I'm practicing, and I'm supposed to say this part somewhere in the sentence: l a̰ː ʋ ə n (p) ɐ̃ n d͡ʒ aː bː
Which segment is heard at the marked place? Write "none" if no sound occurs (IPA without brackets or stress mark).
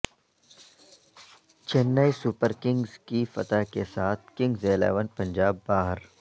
p